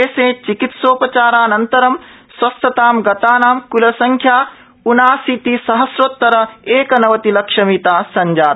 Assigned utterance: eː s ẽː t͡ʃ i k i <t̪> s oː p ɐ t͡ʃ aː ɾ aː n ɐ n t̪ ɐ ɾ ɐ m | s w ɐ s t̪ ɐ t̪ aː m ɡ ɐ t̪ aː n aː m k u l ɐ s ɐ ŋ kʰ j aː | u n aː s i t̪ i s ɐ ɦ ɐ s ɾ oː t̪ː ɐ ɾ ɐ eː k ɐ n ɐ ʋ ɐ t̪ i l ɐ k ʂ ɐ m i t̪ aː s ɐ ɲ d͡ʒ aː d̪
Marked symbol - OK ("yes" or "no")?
yes